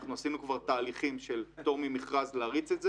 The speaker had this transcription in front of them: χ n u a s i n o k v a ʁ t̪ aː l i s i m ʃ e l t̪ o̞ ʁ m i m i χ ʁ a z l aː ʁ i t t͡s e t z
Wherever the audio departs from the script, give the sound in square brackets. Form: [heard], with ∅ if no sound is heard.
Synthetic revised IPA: χ n u a s i n [u] k v a ʁ t̪ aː l i [χ] i m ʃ e l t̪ o̞ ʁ m i m i χ ʁ a z l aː ʁ i t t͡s e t z